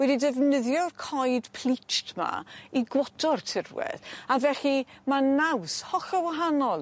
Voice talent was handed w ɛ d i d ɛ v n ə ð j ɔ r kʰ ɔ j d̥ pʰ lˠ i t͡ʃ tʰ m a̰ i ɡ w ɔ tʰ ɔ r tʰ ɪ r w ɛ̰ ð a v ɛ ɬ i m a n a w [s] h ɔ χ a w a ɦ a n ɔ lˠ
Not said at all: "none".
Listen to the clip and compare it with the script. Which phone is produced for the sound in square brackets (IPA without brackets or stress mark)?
s